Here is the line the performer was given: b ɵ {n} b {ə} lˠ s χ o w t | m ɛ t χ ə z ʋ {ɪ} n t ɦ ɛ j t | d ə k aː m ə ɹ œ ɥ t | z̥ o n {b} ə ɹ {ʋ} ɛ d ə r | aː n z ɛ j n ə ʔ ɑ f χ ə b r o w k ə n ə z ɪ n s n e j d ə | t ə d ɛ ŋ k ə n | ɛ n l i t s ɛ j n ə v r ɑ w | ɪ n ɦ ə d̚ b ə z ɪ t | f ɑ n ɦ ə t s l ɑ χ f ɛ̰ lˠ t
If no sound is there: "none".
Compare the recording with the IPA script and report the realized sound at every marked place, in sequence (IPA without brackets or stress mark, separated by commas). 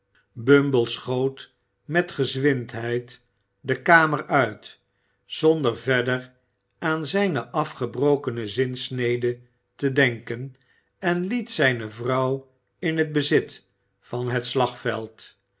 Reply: m, ə, ɪ, d, v